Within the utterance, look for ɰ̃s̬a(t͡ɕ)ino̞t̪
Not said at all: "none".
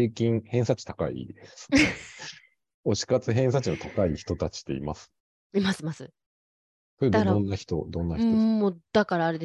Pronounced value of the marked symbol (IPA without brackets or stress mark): t͡ɕ